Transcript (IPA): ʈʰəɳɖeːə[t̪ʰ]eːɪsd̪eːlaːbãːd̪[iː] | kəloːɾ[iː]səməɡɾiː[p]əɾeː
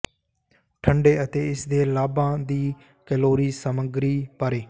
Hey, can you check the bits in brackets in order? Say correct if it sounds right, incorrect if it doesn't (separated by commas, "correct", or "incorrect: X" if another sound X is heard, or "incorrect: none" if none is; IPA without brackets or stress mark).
incorrect: t̪, correct, correct, correct